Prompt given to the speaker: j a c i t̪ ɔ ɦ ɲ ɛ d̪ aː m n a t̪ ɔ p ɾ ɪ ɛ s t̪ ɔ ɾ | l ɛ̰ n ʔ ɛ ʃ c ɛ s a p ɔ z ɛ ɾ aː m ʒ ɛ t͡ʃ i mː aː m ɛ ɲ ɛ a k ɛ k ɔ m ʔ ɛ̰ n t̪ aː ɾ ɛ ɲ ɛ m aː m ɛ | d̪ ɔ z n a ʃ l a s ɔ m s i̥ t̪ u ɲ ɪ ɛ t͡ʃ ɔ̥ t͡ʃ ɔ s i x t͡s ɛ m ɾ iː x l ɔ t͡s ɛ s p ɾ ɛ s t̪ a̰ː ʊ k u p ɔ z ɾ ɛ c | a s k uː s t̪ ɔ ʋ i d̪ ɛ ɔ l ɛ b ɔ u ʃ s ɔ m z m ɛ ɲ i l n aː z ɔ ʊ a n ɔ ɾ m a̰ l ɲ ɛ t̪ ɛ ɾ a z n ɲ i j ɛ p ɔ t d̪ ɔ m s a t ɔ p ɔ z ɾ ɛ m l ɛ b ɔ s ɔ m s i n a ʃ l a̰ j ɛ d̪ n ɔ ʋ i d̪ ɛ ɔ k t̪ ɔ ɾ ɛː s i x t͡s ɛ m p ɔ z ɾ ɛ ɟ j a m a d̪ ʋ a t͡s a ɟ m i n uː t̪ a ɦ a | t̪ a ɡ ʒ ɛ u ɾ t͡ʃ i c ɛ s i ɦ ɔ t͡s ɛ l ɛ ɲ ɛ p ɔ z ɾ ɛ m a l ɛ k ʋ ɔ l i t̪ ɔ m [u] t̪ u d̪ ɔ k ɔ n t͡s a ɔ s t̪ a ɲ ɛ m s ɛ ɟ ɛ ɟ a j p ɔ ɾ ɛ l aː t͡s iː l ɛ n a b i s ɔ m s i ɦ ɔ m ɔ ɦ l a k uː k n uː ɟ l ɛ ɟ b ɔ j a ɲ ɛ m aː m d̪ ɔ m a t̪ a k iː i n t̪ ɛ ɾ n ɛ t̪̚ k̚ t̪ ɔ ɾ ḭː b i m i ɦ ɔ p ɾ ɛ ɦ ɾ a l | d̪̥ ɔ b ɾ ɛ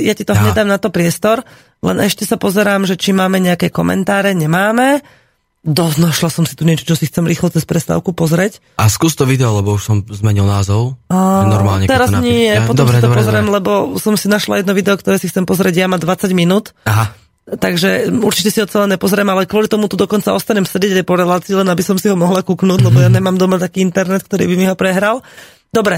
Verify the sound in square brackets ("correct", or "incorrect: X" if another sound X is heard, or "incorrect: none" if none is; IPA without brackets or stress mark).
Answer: correct